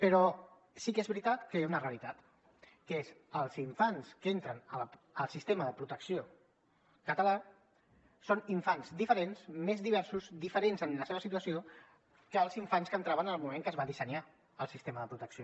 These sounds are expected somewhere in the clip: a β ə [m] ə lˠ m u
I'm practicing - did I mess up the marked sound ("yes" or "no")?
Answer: yes